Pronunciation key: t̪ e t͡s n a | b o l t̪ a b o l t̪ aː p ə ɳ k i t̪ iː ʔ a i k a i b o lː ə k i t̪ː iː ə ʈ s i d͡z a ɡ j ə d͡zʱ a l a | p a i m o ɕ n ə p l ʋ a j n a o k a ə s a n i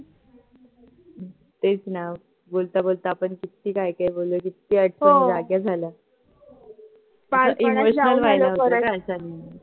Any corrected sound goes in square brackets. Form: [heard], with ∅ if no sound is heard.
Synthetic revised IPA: t̪ e t͡s n a | b o l t̪ a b o l t̪ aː p ə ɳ k i t̪ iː [k] a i k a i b o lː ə k i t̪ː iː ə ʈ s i d͡z a ɡ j [a] d͡zʱ a l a | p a i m o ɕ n ə [∅] l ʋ a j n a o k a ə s a n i